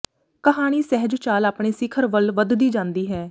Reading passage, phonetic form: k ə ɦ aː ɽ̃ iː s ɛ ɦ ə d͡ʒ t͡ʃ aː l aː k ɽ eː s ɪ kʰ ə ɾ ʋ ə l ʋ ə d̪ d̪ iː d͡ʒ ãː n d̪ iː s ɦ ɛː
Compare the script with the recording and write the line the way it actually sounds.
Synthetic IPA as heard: k ə ɦ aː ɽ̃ iː s ɛ ɦ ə d͡ʒ t͡ʃ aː l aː p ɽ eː s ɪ kʰ ə ɾ ʋ ə l ʋ ə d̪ d̪ iː d͡ʒ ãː n d̪ iː ɦ ɛː